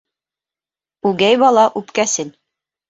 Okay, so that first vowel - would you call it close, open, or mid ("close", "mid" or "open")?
close